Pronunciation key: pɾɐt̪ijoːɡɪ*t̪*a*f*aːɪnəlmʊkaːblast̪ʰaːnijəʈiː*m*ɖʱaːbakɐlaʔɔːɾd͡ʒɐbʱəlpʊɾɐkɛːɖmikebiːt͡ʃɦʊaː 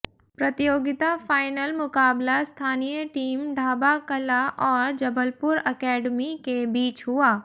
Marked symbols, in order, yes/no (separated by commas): yes, yes, yes